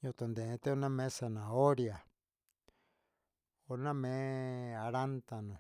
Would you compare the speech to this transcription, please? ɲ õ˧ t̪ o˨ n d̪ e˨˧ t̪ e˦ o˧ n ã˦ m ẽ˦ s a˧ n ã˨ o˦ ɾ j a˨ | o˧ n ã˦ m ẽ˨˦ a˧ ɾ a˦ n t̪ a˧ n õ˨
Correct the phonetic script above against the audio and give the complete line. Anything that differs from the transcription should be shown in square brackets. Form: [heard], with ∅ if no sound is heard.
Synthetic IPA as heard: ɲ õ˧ t̪ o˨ n d̪ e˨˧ t̪ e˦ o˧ n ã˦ m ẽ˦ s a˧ n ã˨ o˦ ɾ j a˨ | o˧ n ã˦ m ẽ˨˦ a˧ ɾ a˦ n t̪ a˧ n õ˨